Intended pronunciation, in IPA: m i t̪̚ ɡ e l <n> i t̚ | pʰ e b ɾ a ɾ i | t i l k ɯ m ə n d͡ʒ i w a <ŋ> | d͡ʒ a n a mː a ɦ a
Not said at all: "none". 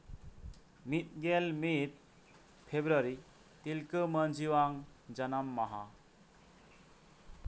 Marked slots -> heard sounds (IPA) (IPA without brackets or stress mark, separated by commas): m, ŋ